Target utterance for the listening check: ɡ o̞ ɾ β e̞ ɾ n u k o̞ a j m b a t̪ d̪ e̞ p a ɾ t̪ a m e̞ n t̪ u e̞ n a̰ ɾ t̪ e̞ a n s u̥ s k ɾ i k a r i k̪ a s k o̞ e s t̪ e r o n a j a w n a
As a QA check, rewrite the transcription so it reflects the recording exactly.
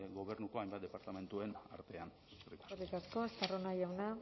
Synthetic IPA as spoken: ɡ o̞ β e̞ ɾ n u k o̞ a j m b a t̪ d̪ e̞ p a ɾ t̪ a m e̞ n t̪ u e̞ n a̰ ɾ t̪ e̞ a n s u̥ s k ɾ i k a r i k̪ a s k o̞ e s t̪ a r o n a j a w n a